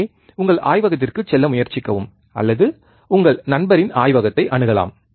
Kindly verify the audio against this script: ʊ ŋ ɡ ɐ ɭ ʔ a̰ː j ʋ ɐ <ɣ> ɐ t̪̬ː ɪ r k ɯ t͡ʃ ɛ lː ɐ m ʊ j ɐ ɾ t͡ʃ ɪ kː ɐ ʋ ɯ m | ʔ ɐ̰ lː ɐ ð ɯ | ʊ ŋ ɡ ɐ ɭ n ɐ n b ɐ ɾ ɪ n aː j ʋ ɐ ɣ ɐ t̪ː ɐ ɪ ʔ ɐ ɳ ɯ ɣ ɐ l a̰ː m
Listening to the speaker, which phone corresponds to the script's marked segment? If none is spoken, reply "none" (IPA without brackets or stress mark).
ɣ